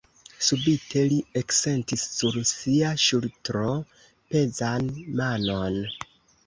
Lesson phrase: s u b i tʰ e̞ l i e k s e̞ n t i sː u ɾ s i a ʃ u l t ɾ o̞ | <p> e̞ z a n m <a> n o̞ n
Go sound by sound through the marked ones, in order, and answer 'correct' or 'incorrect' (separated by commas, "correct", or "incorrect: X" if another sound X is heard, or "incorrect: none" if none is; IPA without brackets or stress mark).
correct, correct